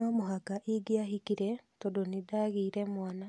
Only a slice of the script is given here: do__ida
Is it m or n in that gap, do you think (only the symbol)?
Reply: n